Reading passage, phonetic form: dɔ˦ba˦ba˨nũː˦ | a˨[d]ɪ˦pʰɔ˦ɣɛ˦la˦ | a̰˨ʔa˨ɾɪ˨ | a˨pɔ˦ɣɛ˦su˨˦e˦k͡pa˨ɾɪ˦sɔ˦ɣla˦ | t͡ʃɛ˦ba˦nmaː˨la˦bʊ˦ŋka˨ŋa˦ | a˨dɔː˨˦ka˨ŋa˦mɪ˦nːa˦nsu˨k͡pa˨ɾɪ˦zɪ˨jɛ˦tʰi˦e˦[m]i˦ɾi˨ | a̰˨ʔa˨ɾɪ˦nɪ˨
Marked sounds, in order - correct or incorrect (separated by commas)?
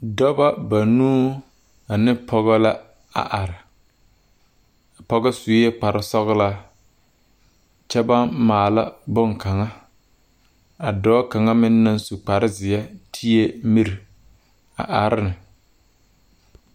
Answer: incorrect, correct